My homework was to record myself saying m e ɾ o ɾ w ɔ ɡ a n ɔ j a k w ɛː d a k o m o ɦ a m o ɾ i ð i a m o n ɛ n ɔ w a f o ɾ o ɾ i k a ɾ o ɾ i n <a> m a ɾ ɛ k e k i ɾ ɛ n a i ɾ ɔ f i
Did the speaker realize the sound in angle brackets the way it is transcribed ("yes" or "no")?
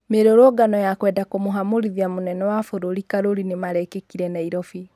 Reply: no